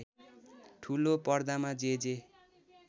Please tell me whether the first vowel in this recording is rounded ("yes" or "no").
yes